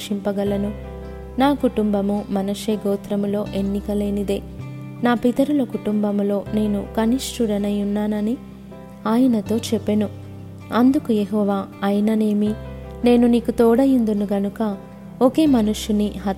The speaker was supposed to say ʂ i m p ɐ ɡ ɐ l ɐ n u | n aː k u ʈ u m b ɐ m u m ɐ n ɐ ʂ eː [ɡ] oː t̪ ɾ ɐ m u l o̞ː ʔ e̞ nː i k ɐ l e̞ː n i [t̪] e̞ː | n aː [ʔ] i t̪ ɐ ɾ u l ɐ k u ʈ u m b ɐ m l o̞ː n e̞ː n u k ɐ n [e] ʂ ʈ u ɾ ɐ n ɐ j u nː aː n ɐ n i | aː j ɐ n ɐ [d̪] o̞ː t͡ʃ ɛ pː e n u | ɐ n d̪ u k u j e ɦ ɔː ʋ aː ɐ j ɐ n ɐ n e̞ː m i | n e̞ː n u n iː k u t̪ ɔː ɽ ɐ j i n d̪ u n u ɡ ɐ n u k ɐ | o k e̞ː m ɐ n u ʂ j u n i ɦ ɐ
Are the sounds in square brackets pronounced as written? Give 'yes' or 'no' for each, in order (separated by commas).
yes, no, no, no, no